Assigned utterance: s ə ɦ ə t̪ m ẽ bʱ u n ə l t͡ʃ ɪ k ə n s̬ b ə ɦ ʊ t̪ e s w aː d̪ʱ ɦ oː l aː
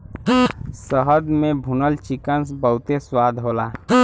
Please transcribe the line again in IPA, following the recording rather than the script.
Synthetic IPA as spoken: s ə ɦ ə d̪ m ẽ bʱ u n ə l t͡ʃ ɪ k ə n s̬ b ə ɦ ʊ t̪ e s w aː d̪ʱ ɦ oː l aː